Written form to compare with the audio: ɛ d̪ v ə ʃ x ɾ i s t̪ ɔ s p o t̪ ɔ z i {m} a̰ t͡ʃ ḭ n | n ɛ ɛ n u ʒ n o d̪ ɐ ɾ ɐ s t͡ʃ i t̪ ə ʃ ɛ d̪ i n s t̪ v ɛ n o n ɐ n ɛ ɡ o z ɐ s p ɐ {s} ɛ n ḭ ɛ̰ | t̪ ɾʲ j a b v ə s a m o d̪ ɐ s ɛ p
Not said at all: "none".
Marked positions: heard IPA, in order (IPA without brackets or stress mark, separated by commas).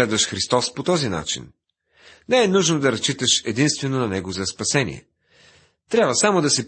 n, s